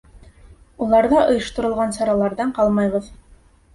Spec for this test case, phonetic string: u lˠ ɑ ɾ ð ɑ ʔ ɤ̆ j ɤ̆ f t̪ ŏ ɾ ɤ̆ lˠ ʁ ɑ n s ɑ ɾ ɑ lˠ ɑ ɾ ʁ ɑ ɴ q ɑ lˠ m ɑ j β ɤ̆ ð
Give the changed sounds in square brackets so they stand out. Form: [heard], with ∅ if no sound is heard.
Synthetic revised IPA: u lˠ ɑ ɾ ð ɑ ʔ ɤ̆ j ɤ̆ [ʃ] t̪ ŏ ɾ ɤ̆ lˠ ʁ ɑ n s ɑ ɾ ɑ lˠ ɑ ɾ [ð] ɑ ɴ q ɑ lˠ m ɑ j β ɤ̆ ð